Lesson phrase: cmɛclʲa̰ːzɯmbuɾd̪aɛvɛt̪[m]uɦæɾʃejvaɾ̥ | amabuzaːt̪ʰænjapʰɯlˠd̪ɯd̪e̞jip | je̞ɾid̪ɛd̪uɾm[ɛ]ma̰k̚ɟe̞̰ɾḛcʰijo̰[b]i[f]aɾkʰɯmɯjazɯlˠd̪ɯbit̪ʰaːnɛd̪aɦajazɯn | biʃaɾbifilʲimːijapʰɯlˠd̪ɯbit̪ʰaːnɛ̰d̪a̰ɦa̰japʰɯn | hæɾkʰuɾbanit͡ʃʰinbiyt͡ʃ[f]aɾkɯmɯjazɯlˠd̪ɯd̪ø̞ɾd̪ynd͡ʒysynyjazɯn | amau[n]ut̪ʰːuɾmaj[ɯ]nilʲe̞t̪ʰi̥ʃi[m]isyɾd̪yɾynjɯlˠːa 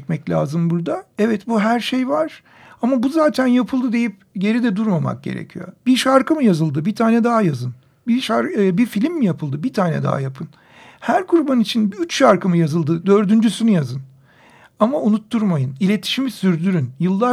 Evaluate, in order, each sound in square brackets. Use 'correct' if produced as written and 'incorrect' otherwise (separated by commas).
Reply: incorrect, incorrect, correct, incorrect, incorrect, correct, correct, correct